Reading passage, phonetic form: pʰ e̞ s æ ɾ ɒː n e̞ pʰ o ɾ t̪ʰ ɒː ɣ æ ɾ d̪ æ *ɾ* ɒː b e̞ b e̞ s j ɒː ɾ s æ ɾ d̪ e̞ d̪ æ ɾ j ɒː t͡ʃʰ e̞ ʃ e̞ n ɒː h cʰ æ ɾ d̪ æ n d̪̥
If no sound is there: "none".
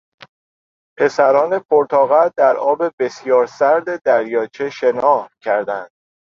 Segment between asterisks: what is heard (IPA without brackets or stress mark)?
ɾ